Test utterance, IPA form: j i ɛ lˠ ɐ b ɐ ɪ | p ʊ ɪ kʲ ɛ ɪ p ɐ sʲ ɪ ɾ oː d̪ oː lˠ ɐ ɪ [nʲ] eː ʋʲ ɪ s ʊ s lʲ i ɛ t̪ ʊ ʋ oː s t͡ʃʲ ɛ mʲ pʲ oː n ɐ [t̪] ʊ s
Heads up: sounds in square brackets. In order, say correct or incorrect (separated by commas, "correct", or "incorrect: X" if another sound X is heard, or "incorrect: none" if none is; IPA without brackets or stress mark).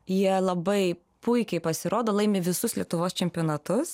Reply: incorrect: mʲ, correct